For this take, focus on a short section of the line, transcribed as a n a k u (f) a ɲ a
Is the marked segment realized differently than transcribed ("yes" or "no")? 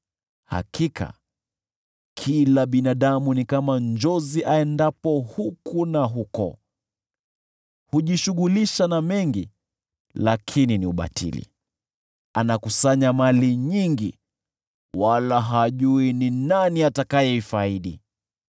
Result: yes